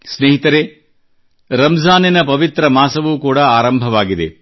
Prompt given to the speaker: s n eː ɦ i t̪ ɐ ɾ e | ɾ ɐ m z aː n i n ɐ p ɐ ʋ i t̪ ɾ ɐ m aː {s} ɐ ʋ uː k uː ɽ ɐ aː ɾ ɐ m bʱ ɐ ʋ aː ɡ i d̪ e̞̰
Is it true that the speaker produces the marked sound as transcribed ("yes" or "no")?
yes